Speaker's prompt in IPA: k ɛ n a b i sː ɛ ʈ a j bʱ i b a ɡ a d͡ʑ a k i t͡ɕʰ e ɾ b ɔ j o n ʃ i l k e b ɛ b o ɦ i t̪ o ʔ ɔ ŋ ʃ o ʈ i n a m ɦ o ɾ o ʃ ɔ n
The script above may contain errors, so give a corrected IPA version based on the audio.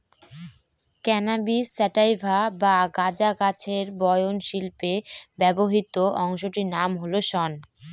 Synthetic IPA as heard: k ɛ n a b i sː ɛ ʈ a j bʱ a b a ɡ a d͡ʑ a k a t͡ɕʰ e ɾ b ɔ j o n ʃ i l p e b ɛ b o ɦ i t̪ o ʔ ɔ ŋ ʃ o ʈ i n a m ɦ o l o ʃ ɔ n